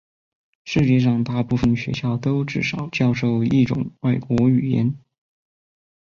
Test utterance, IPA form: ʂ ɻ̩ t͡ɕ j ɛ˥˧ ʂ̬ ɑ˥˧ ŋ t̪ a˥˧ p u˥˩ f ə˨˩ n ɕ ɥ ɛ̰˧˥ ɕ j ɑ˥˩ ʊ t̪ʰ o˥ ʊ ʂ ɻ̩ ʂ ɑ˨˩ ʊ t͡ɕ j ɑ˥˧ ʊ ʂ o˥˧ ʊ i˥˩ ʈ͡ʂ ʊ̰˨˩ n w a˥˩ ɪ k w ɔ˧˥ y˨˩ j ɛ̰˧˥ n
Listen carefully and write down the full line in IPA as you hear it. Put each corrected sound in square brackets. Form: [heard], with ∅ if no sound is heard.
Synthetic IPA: ʂ ɻ̩ t͡ɕ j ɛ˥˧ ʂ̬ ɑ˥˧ ŋ t̪ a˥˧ p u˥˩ f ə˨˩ n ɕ ɥ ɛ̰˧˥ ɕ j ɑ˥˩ ʊ [t̪] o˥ ʊ [ʈ͡ʂ] ɻ̩ ʂ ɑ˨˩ ʊ t͡ɕ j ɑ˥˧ ʊ ʂ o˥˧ ʊ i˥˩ ʈ͡ʂ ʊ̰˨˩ [ŋ] w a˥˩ ɪ k w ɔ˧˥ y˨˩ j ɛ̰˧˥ n